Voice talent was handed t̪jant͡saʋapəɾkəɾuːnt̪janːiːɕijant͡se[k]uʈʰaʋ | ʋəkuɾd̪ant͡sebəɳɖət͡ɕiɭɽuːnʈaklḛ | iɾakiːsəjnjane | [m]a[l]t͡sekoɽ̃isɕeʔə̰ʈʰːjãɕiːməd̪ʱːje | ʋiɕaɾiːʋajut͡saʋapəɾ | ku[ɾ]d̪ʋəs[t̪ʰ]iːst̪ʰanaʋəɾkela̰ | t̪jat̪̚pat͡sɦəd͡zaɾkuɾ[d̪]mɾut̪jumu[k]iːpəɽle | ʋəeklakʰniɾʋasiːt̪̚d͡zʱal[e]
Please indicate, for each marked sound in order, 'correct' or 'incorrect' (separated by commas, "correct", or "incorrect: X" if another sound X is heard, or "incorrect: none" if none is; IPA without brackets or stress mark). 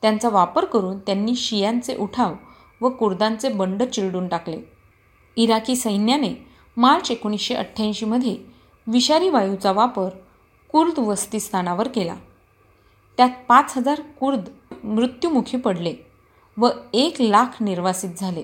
incorrect: ʔ, correct, incorrect: ɾ, correct, incorrect: t̪, correct, incorrect: kʰ, correct